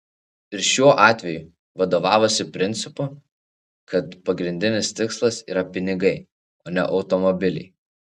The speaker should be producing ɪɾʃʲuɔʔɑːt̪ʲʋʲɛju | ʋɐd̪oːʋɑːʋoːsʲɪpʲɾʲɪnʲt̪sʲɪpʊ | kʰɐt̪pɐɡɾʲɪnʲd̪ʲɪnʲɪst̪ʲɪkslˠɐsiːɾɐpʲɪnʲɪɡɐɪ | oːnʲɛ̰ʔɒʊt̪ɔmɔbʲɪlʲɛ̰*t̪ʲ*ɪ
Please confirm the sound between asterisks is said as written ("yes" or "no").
no